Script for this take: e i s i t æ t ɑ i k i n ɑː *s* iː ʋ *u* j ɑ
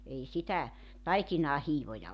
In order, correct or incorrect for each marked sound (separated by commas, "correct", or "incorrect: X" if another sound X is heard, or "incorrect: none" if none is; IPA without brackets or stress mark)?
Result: incorrect: h, incorrect: o